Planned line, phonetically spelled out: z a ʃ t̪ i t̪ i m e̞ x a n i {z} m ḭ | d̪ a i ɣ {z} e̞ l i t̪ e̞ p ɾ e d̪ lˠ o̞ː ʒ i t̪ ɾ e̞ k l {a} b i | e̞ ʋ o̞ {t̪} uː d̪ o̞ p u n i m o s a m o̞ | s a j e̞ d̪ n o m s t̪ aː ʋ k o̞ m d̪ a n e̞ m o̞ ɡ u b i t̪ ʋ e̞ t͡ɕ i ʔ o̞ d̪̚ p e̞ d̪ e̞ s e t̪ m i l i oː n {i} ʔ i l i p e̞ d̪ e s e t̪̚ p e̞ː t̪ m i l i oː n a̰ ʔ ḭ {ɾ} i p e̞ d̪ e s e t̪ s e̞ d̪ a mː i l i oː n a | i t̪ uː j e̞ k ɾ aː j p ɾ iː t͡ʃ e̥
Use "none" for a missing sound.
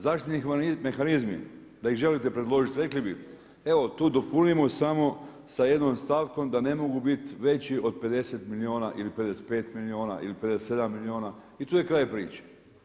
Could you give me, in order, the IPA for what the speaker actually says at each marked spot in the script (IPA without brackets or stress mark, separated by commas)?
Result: z, ʒ, i, t̪, a, l